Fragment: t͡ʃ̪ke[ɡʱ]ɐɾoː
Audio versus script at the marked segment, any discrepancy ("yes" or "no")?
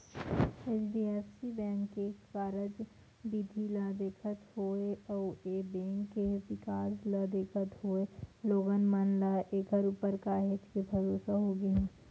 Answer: yes